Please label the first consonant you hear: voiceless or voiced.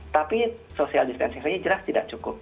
voiceless